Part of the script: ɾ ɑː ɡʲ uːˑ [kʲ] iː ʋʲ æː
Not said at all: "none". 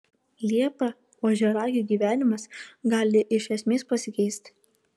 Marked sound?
ɡʲ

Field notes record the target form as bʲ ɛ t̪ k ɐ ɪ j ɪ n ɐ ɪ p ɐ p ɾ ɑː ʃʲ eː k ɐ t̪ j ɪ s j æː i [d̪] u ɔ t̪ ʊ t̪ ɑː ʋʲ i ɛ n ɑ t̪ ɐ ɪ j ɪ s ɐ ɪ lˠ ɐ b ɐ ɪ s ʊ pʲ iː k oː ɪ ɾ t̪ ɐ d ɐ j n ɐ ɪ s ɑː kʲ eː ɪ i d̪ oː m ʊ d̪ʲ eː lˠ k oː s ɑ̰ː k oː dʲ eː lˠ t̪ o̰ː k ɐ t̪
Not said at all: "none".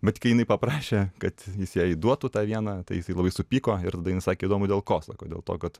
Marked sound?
d̪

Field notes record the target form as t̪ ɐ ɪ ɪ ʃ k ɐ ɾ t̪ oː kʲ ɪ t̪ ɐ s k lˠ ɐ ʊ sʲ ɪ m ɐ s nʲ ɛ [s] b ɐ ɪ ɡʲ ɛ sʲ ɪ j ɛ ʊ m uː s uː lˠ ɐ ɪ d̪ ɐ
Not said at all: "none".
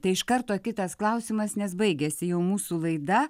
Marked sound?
s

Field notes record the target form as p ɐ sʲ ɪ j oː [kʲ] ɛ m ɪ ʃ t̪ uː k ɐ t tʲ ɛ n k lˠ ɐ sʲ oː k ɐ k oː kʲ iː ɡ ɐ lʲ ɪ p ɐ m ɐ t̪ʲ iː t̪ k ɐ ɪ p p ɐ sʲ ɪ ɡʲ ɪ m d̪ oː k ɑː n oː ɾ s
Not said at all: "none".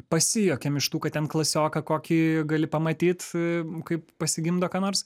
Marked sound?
kʲ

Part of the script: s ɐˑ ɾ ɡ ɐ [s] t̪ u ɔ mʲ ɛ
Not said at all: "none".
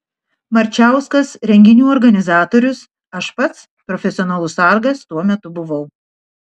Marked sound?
s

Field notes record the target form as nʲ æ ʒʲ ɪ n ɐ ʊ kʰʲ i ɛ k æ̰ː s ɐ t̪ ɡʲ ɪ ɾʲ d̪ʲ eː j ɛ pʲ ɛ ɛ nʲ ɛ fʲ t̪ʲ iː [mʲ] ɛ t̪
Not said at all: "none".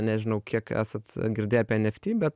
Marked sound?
bʲ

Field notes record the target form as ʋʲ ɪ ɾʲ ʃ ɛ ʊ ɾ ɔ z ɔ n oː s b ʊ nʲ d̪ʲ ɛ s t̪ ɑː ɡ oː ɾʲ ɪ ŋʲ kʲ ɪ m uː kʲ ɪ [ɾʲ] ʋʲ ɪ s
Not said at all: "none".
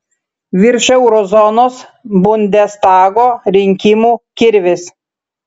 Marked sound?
ɾʲ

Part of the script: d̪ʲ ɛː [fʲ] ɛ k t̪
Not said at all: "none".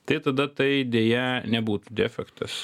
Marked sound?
fʲ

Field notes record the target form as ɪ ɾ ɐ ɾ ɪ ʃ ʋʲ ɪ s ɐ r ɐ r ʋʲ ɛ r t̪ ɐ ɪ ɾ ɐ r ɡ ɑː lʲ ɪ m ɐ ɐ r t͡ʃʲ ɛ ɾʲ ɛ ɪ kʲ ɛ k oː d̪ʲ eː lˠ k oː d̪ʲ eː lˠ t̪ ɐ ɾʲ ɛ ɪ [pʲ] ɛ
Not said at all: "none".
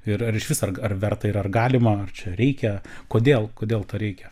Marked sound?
kʲ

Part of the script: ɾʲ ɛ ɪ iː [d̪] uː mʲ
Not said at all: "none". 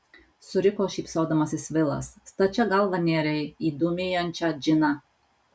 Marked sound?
d̪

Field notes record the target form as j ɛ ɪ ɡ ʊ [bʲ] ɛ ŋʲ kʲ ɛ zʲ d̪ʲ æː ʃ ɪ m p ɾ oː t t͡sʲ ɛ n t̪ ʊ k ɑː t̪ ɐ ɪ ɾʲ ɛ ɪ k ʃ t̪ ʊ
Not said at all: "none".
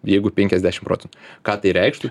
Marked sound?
pʲ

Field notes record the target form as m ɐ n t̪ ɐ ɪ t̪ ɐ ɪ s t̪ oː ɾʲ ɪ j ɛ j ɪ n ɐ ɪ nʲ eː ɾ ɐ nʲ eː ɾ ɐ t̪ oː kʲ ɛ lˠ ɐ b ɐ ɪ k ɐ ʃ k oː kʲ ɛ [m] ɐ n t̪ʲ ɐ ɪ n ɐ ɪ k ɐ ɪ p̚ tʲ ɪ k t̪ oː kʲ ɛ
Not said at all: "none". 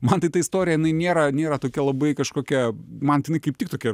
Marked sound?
m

